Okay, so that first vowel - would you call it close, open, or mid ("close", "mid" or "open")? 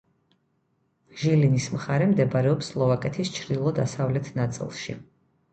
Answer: close